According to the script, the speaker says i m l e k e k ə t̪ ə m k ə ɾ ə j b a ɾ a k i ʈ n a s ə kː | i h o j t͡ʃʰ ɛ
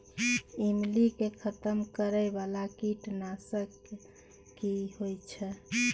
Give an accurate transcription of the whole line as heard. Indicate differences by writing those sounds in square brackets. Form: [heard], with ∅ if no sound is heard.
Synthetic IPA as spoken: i m l [i] k e [kʰ] ə t̪ ə m k ə ɾ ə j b a [l] a k i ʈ n a s ə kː | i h o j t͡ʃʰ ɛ